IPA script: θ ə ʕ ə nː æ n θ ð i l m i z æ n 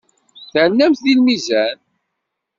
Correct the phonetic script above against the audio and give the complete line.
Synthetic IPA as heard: θ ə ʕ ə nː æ m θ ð i l m i z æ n